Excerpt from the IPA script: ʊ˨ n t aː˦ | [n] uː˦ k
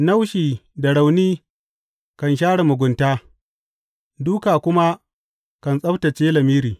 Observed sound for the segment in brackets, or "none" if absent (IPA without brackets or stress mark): d